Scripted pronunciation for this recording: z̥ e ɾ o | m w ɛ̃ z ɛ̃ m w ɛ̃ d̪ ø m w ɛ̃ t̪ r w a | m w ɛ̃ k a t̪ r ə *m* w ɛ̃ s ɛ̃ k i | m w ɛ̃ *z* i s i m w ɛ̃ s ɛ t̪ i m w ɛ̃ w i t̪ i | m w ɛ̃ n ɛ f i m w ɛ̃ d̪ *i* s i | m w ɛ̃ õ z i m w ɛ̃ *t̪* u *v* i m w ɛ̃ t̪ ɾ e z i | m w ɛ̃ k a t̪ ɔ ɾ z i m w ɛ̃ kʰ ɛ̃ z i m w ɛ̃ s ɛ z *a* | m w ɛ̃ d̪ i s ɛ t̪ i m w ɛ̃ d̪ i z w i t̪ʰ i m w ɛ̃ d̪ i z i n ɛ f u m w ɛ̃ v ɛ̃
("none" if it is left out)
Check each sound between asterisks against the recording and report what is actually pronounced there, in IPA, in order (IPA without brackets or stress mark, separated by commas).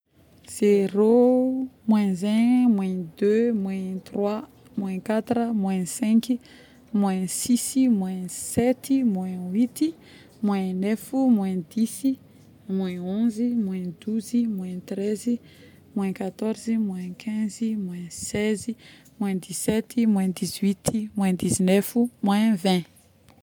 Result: m, s, i, d̪, z, i